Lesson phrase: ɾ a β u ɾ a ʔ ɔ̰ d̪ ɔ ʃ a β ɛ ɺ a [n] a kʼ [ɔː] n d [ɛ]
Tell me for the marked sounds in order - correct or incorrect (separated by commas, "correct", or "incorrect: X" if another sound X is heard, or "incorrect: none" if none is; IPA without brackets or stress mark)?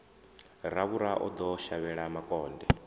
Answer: incorrect: m, correct, correct